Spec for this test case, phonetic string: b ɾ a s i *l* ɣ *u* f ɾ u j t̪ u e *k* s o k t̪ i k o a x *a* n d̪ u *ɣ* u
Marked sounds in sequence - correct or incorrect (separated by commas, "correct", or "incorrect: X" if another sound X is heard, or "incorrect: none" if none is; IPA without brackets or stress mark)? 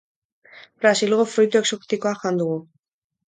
correct, incorrect: o, correct, correct, correct